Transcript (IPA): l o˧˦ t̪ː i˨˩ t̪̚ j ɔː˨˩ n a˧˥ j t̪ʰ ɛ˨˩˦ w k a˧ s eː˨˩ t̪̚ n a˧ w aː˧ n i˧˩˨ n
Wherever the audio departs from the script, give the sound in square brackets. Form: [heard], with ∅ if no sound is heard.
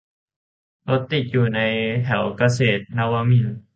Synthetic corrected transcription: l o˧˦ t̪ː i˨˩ t̪̚ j [uː˨˩] n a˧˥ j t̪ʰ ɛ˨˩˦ w k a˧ s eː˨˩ t̪̚ n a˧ w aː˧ [m] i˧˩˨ n